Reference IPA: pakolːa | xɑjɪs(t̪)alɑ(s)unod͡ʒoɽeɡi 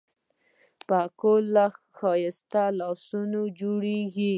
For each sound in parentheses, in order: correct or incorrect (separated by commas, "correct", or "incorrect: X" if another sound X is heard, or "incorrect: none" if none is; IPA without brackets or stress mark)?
correct, correct